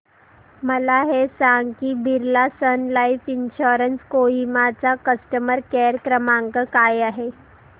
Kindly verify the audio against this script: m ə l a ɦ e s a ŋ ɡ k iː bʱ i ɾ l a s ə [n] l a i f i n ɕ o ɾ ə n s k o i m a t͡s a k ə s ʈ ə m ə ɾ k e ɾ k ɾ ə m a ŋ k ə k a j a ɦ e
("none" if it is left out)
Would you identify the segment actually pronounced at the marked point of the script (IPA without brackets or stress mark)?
n